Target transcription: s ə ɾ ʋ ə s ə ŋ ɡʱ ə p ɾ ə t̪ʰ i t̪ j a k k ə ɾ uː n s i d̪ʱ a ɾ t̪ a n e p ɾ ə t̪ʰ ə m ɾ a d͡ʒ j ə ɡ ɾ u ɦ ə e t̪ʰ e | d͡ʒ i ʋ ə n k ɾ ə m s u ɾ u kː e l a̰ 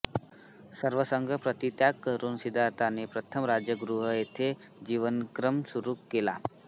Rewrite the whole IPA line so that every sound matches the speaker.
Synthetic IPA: s ə ɾ ʋ ə s ə ŋ ɡʱ ə p ɾ ə t̪ i t̪ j a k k ə ɾ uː n s i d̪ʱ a ɾ t̪ a n e p ɾ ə t̪ʰ ə m ɾ a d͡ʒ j ə ɡ ɾ u ɦ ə e t̪ʰ e | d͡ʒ i ʋ ə n k ɾ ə m s u ɾ u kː e l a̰

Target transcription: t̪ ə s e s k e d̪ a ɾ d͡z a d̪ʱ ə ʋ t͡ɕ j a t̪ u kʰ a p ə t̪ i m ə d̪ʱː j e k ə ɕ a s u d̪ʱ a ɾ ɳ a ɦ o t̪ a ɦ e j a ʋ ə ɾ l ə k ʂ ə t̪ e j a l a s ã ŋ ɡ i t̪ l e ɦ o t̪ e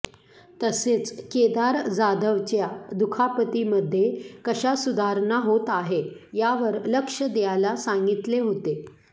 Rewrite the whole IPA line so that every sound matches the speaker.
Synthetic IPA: t̪ ə s e t͡s k e d̪ a ɾ d͡z a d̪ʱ ə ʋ t͡ɕ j a d̪ u kʰ a p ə t̪ i m ə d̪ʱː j e k ə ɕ a s u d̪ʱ a ɾ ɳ a ɦ o t̪ a ɦ e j a ʋ ə ɾ l ə k ʂ ə d̪ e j a l a s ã ŋ ɡ i t̪ l e ɦ o t̪ e

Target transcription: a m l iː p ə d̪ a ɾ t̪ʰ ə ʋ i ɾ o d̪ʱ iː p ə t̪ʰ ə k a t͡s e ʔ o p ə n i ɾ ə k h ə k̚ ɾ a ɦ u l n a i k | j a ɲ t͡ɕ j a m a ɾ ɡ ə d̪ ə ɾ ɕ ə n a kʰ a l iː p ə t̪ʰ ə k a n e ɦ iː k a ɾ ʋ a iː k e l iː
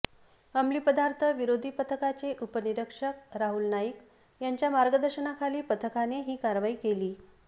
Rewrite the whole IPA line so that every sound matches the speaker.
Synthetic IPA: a m l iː p ə d̪ a ɾ t̪ʰ ə ʋ i ɾ o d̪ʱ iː p ə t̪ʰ ə k a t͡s e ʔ u p ə n i ɾ ə k ʂ ə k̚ ɾ a ɦ u l n a i k | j a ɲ t͡ɕ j a m a ɾ ɡ ə d̪ ə ɾ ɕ ə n a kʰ a l iː p ə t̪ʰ ə k a n e ɦ iː k a ɾ ʋ a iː k e l iː

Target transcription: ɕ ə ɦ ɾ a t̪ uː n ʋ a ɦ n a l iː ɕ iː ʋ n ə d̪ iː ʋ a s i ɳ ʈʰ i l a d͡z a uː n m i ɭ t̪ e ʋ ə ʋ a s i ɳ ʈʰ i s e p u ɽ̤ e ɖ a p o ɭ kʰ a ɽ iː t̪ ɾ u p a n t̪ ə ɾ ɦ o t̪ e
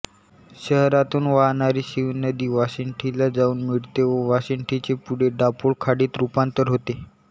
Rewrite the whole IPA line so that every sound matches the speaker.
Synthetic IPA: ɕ ə ɦ ɾ a t̪ uː n ʋ a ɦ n a ɾ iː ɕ i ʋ n ə d̪ iː ʋ a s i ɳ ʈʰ i l a d͡z a uː n m i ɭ t̪ e ʋ ə ʋ a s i ɳ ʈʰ i t͡s e p u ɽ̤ e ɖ a p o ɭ kʰ a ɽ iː t̪ ɾ u p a n t̪ ə ɾ ɦ o t̪ e

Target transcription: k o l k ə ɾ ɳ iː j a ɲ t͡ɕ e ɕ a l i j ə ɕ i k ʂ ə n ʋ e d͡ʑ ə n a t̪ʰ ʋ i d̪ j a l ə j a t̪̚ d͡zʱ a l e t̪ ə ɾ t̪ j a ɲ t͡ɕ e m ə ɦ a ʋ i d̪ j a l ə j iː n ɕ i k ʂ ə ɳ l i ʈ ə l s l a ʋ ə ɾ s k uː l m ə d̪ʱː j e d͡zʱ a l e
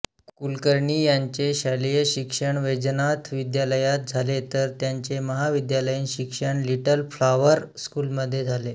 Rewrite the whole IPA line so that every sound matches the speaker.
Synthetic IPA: k u l k ə ɾ ɳ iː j a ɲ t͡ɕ e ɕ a l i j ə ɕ i k ʂ ə ɳ ʋ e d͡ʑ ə n a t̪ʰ ʋ i d̪ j a l ə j a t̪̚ d͡zʱ a l e t̪ ə ɾ t̪ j a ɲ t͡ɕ e m ə ɦ a ʋ i d̪ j a l ə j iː n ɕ i k ʂ ə ɳ l i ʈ ə l f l a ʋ ə ɾ s k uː l m ə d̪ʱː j e d͡zʱ a l e

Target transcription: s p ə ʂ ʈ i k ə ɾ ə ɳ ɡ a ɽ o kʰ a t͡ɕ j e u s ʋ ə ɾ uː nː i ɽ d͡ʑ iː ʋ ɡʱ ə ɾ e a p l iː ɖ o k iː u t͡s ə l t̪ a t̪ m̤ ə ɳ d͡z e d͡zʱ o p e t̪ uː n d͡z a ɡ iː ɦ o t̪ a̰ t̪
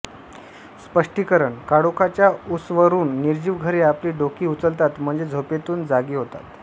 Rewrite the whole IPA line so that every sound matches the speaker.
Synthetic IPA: s p ə ʂ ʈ i k ə ɾ ə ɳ k a ɽ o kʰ a t͡ɕ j a u s ʋ ə ɾ uː nː i ɾ d͡ʑ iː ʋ ɡʱ ə ɾ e a p l iː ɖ o k iː u t͡s ə l t̪ a t̪ m̤ ə ɳ d͡z e d͡zʱ o p e t̪ uː n d͡z a ɡ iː ɦ o t̪ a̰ t̪

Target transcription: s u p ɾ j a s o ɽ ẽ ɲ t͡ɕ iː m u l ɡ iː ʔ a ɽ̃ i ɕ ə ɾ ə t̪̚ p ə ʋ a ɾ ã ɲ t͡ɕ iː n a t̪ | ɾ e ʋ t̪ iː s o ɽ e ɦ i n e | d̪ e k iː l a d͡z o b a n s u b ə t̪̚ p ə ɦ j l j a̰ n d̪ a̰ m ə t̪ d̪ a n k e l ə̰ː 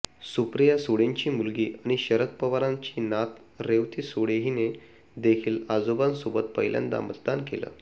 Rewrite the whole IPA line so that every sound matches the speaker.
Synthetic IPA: s u p ɾ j a s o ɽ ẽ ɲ t͡ɕ iː m u l ɡ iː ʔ a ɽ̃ i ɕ ə ɾ ə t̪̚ p ə ʋ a ɾ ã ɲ t͡ɕ iː n a t̪ | ɾ e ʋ t̪ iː s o ɽ e ɦ i n e | d̪ e kʰ iː l a d͡z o b a n s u b ə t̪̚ p ə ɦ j l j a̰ n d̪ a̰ m ə t̪ d̪ a n k e l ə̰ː

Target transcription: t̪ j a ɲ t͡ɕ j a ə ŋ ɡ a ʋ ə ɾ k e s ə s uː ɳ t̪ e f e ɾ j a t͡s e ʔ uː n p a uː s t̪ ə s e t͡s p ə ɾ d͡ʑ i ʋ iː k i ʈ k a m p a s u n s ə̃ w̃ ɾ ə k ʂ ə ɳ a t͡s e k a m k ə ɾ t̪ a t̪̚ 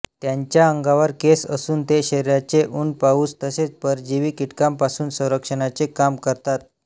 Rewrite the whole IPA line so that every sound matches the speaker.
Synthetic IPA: t̪ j a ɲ t͡ɕ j a ə ŋ ɡ a ʋ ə ɾ k e s ə s uː n t̪ e ɕ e ɾ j a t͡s e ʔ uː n p a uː s t̪ ə s e t͡s p ə ɾ d͡ʑ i ʋ iː k i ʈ k a m p a s uː n s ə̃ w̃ ɾ ə k ʂ ə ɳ a t͡s e k a m k ə ɾ t̪ a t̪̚

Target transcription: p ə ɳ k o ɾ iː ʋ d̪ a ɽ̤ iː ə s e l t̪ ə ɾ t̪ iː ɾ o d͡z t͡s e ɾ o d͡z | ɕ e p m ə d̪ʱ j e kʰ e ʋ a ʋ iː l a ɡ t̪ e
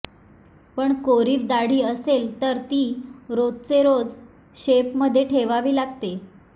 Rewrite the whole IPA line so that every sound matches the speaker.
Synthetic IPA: p ə ɳ k o ɾ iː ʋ d̪ a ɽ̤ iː ə s e l t̪ ə ɾ t̪ iː ɾ o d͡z t͡s e ɾ o d͡z | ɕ e p m ə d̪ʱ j e ʈʰ e ʋ a ʋ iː l a ɡ t̪ e

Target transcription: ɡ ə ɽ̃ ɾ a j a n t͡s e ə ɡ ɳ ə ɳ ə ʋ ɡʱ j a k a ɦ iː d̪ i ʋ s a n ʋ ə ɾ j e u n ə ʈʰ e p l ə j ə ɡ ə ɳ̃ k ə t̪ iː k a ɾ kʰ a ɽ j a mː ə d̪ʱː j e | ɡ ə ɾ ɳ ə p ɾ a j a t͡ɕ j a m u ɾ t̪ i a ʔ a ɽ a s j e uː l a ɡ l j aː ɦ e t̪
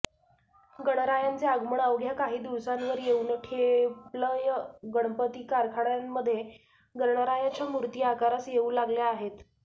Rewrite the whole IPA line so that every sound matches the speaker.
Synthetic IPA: ɡ ə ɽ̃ ɾ a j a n t͡s e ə ɡ m ə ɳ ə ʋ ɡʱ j a k a ɦ iː d̪ i ʋ s a n ʋ ə ɾ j e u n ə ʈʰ e p l ə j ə ɡ ə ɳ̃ p ə t̪ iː k a ɾ kʰ a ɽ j a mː ə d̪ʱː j e | ɡ ə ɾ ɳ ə ɾ a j a t͡ɕ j a m u ɾ t̪ i a k a ɾ a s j e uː l a ɡ l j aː ɦ e t̪

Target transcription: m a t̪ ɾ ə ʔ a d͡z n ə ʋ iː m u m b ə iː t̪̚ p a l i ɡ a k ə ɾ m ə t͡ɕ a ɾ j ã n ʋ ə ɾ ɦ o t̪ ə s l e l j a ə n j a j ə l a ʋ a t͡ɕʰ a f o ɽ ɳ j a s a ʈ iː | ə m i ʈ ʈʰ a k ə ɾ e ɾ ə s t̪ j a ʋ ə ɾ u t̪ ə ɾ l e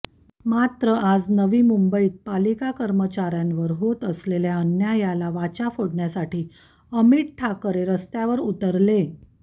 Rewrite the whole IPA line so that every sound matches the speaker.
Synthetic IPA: m a t̪ ɾ ə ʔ a d͡z n ə ʋ iː m u m b ə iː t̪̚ p a l i k a k ə ɾ m ə t͡ɕ a ɾ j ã n ʋ ə ɾ ɦ o t̪ ə s l e l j a ə n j a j a l a ʋ a t͡ɕ a f o ɽ ɳ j a s a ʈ iː | ə m i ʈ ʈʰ a k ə ɾ e ɾ ə s t̪ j a ʋ ə ɾ u t̪ ə ɾ l e

